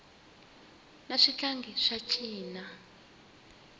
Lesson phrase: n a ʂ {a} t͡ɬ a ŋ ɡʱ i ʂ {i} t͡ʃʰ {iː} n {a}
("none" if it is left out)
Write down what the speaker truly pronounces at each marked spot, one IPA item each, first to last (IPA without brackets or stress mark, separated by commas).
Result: i, a, iː, a